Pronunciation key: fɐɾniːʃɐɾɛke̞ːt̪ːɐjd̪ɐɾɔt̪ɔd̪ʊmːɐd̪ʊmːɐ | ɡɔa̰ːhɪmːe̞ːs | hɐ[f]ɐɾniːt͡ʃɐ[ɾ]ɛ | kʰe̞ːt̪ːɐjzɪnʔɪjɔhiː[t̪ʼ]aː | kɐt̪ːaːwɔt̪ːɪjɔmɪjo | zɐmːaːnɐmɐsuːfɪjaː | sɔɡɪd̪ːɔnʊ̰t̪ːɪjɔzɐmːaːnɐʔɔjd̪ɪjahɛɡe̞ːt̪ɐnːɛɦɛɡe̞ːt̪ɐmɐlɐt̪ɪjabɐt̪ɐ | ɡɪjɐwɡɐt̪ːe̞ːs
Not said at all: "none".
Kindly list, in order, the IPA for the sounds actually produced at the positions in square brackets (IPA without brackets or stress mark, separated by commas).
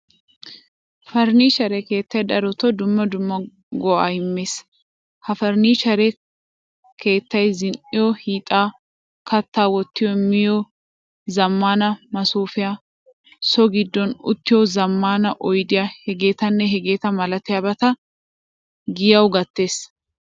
f, ɾ, t̪ʼ